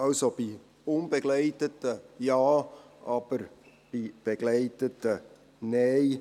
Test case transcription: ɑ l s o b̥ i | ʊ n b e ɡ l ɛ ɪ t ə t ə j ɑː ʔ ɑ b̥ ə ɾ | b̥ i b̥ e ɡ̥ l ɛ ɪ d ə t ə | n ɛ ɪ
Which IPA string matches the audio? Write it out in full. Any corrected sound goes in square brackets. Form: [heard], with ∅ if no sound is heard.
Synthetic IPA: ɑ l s o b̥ i | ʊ n b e ɡ l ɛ ɪ t ə t ə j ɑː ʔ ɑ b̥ ə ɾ | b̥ i b̥ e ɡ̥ l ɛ ɪ [t] ə t ə | n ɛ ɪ